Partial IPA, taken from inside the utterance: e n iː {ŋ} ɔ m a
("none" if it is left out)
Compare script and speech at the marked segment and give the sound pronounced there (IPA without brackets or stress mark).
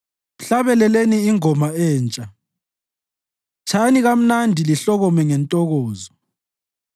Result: ŋ